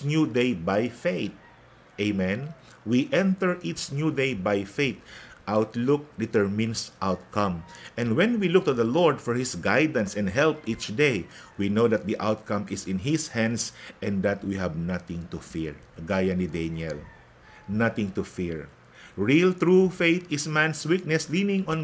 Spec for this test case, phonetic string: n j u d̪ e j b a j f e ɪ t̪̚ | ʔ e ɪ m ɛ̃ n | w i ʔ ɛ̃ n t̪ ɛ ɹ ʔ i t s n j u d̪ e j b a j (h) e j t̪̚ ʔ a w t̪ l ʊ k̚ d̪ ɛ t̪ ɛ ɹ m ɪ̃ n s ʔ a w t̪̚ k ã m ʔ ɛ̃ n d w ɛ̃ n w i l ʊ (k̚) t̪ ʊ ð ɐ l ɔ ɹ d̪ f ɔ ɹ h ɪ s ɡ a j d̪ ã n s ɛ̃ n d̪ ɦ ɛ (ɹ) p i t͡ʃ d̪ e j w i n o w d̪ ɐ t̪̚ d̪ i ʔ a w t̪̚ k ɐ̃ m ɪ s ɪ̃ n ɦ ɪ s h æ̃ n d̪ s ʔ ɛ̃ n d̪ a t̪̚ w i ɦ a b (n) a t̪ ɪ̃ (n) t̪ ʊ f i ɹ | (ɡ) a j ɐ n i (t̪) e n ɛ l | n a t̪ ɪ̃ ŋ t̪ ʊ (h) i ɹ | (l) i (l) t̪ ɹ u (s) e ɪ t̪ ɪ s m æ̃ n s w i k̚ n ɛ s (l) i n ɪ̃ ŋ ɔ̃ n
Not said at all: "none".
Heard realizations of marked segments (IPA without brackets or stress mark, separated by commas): f, k̚, l, n, ŋ, ɡ, d̪, f, ɹ, l, f, l